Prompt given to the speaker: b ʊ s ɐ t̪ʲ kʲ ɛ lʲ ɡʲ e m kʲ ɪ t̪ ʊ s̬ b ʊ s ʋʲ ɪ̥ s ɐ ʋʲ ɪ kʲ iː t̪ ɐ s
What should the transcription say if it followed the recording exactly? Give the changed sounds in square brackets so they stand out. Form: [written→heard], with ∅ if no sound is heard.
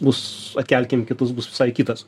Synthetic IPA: b ʊ s ɐ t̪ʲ kʲ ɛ lʲ [ɡʲ→kʲ] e m kʲ ɪ t̪ ʊ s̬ b ʊ s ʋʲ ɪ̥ s ɐ [ʋʲ→∅] ɪ kʲ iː t̪ ɐ s

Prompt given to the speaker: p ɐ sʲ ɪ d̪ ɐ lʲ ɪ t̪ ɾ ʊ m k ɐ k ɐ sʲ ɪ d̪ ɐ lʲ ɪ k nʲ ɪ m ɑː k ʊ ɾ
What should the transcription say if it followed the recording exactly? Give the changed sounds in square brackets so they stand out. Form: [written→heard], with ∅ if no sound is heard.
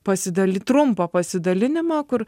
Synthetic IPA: p ɐ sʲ ɪ d̪ ɐ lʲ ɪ t̪ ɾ ʊ m [k→p] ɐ [k→p] ɐ sʲ ɪ d̪ ɐ lʲ ɪ [k→∅] nʲ ɪ m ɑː k ʊ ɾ

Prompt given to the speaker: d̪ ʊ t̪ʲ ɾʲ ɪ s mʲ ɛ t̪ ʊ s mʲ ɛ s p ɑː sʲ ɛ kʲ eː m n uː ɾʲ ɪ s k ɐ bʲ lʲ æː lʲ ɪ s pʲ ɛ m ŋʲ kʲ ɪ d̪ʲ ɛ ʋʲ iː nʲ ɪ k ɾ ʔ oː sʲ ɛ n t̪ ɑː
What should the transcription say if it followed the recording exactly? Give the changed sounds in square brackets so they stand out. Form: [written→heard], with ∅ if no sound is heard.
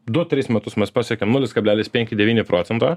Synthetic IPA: d̪ ʊ t̪ʲ ɾʲ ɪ s mʲ ɛ t̪ ʊ s mʲ ɛ s p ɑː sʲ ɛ kʲ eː m n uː [ɾʲ→lʲ] ɪ s k ɐ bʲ lʲ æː lʲ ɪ s pʲ ɛ [m→∅] ŋʲ kʲ ɪ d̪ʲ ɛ ʋʲ iː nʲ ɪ [k→p] ɾ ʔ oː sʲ ɛ n t̪ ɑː

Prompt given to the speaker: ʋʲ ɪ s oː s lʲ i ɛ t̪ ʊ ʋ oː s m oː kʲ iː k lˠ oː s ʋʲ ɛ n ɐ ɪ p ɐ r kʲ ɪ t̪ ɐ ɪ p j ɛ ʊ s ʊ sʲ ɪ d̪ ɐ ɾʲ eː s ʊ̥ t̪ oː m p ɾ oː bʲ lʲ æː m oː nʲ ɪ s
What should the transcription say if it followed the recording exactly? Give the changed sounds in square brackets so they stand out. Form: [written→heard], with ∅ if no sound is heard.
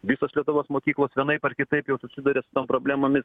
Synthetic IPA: ʋʲ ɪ s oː s lʲ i ɛ t̪ ʊ ʋ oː s m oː kʲ iː k lˠ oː s ʋʲ ɛ n ɐ ɪ p ɐ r kʲ ɪ t̪ ɐ ɪ p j ɛ ʊ s ʊ sʲ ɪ d̪ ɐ ɾʲ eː s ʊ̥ t̪ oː m p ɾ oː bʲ lʲ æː m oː [nʲ→mʲ] ɪ s

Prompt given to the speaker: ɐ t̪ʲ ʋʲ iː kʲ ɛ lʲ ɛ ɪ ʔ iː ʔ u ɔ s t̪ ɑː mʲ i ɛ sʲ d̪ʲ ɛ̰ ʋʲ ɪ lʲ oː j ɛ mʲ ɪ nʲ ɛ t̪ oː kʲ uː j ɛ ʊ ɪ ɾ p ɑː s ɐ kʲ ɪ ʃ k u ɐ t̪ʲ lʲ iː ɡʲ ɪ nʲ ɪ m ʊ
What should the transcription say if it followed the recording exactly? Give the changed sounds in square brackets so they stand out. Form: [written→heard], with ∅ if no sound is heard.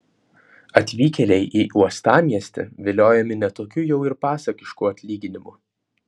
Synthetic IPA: ɐ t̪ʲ ʋʲ iː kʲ ɛ lʲ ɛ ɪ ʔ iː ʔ u ɔ s t̪ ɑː mʲ i ɛ sʲ [d̪ʲ→t̪ʲ] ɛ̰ ʋʲ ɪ lʲ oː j ɛ mʲ ɪ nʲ ɛ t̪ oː kʲ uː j ɛ ʊ ɪ ɾ p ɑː s ɐ kʲ ɪ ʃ k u ɐ t̪ʲ lʲ iː ɡʲ ɪ nʲ ɪ m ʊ

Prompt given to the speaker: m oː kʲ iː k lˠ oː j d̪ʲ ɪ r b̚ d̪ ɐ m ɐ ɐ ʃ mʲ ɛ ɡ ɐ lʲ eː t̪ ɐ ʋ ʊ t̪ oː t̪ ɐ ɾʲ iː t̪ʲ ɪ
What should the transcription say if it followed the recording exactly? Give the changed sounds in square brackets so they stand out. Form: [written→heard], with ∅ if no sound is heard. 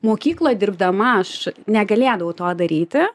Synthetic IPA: m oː kʲ iː k lˠ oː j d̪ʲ ɪ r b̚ d̪ ɐ m ɐ ɐ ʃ [mʲ→nʲ] ɛ ɡ ɐ lʲ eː [t̪→d̪] ɐ ʋ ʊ t̪ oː [t̪→d̪] ɐ ɾʲ iː t̪ʲ ɪ

